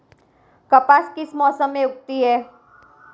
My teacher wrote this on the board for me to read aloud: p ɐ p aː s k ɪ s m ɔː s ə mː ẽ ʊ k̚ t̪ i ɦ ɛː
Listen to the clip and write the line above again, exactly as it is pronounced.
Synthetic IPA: k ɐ p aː s k ɪ s m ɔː s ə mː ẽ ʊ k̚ t̪ i ɦ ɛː

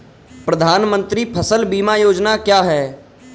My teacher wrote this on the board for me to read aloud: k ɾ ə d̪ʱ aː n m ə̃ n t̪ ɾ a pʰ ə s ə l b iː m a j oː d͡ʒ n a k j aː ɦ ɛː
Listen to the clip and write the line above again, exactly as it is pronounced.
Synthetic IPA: p ɾ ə d̪ʱ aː n m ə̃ n t̪ ɾ i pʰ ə s ə l b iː m a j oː d͡ʒ n a k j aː ɦ ɛː

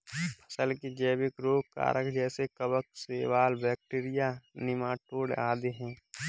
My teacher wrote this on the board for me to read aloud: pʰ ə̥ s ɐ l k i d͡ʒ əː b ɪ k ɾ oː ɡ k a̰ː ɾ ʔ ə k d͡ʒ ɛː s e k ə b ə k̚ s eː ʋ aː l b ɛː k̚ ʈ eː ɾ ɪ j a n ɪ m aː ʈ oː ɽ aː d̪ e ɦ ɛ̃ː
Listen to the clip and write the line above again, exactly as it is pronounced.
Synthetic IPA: pʰ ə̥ s ə l k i d͡ʒ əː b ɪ k ɾ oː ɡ k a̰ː ɾ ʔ ə k d͡ʒ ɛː s e k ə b ə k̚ s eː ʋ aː l b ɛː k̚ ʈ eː ɾ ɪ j a n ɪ m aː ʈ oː ɽ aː d̪ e ɦ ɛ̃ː

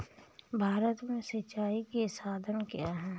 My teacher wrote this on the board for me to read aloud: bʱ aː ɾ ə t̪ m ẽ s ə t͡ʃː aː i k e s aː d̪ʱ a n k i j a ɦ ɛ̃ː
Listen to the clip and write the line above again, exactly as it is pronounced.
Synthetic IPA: bʱ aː ɾ ə t̪ m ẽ s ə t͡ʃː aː i k e s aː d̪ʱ ə n k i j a ɦ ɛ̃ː

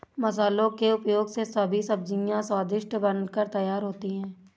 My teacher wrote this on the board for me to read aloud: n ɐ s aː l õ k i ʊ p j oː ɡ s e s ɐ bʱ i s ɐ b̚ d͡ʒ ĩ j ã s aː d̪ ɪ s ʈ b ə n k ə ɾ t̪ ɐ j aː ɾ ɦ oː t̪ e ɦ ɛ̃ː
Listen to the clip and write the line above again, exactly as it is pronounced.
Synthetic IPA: m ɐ s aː l õ k e ʊ p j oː ɡ s e s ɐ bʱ i s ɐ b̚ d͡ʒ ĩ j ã s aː d̪ ɪ ʃ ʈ b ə n k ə ɾ t̪ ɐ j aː ɾ ɦ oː t̪ i ɦ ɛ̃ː

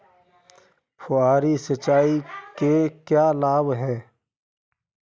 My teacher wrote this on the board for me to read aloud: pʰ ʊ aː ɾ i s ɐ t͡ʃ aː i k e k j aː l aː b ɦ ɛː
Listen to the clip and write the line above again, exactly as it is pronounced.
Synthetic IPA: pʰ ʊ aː ɾ i s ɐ t͡ʃ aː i k e k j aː l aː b ɦ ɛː

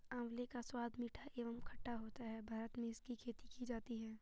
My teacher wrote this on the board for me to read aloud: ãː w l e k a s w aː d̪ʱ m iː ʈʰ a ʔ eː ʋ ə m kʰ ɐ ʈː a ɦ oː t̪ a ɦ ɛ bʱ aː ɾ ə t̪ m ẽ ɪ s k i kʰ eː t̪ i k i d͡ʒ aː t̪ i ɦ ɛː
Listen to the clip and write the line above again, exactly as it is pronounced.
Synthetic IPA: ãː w l e k a s w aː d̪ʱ m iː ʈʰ a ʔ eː ʋ ə m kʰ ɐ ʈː a ɦ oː t̪ a ɦ ɛ bʱ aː ɾ ə t̪ m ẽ ɪ s k i kʰ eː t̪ i k i d͡ʒ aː t̪ i ɦ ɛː

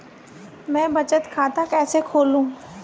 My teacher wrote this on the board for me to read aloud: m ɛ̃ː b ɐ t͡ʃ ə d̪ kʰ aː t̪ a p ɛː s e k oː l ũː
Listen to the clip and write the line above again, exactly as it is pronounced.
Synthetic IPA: m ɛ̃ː b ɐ t͡ʃ ə t̪ kʰ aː t̪ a k ɛː s e kʰ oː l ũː

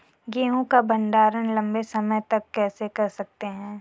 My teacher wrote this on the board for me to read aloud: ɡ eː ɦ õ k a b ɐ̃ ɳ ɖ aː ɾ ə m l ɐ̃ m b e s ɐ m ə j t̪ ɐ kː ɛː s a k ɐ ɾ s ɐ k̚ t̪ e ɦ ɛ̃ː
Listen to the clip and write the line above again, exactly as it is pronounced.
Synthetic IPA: ɡ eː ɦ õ k a b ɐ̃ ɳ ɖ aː ɾ ə n l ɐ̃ m b e s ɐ m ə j t̪ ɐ kː ɛː s e k ɐ ɾ s ɐ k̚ t̪ e ɦ ɛ̃ː

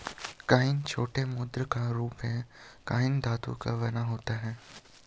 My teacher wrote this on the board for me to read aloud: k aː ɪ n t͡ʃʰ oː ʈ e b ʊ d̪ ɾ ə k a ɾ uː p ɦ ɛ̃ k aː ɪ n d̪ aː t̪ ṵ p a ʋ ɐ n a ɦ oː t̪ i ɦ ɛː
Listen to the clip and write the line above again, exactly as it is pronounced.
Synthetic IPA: k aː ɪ n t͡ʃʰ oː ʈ e m ʊ d̪ ɾ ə k a ɾ uː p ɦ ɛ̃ k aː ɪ n d̪ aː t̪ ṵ k a ʋ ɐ n a ɦ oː t̪ a ɦ ɛː

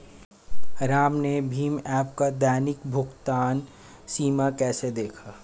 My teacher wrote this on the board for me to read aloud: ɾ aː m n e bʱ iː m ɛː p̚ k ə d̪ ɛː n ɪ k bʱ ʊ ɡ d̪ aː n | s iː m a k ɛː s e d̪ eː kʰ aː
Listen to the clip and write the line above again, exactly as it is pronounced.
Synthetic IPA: ɾ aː m n e bʱ iː m ɛː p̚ k a d̪ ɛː n ɪ k bʱ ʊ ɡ t̪ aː n | s iː m a k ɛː s e d̪ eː kʰ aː

